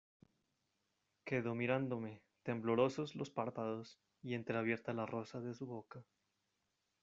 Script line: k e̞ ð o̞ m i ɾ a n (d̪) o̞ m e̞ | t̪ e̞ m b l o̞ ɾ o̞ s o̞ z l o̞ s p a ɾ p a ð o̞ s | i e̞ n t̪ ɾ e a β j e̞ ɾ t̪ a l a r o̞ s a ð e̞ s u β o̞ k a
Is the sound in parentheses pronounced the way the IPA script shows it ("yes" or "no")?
yes